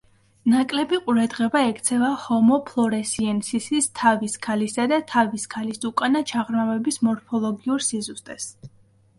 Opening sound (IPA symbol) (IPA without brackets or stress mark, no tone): n